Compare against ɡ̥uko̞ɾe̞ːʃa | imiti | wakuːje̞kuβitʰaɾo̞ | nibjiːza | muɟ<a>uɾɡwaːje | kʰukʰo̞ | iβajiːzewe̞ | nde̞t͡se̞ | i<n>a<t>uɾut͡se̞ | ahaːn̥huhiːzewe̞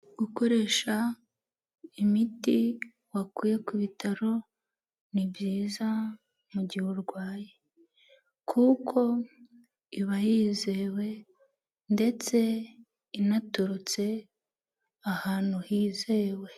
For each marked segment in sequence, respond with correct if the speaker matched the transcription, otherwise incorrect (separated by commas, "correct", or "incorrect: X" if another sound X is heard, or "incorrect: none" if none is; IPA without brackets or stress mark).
incorrect: i, correct, correct